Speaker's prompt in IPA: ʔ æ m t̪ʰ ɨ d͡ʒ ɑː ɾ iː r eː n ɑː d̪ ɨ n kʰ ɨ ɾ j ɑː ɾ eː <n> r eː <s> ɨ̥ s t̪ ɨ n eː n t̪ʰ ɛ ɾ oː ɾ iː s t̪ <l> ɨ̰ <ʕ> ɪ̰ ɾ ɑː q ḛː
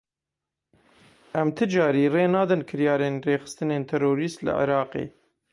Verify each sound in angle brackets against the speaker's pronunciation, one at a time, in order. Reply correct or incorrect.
correct, incorrect: x, correct, correct

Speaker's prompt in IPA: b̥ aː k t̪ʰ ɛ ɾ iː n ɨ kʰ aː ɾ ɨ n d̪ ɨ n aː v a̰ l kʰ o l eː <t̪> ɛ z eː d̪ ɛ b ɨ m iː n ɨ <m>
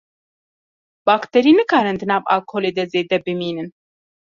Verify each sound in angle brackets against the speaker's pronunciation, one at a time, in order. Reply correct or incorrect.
incorrect: d̪, incorrect: n

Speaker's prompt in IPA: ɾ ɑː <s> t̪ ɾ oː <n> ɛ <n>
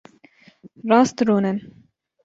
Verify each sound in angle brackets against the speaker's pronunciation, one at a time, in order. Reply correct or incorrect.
correct, correct, correct

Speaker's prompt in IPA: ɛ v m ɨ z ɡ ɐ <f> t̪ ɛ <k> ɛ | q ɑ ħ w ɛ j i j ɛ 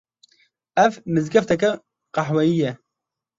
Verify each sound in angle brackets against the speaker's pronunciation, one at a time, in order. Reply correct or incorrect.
correct, correct

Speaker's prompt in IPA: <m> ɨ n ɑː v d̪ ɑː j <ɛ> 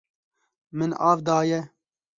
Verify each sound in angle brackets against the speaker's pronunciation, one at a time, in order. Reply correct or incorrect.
correct, correct

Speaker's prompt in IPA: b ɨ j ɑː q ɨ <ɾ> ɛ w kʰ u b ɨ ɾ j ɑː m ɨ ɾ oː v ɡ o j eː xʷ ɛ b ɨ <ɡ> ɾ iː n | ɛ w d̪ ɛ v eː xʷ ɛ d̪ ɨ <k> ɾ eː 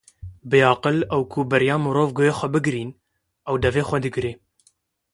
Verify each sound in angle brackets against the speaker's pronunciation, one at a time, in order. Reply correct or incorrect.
incorrect: l, correct, incorrect: ɡ

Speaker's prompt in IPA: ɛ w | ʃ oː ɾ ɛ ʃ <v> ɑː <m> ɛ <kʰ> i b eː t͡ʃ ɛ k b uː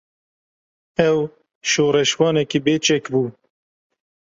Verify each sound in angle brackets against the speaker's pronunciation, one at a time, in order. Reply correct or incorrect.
incorrect: w, incorrect: n, incorrect: k

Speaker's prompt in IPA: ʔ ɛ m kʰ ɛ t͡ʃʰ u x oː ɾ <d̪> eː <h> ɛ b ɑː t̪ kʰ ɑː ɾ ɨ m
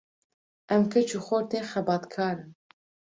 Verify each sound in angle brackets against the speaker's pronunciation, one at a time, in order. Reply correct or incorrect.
incorrect: t̪, incorrect: x

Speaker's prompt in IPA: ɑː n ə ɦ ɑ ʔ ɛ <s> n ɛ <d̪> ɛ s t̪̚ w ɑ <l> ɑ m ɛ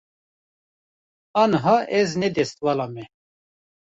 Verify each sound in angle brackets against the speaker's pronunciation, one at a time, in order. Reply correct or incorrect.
incorrect: z, correct, correct

